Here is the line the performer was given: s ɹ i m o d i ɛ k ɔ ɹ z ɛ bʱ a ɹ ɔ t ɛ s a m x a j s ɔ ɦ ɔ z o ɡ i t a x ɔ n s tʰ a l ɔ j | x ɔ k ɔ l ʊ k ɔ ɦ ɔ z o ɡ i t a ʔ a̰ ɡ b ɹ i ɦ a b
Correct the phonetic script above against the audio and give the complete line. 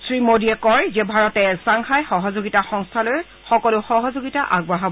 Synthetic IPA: s ɹ i m o d i ɛ k ɔ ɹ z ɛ bʱ a ɹ ɔ t ɛ s a ŋ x a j x ɔ ɦ ɔ z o ɡ i t a x ɔ ŋ s tʰ a l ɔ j | x ɔ k ɔ l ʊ x ɔ ɦ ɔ z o ɡ i t a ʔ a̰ ɡ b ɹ a ɦ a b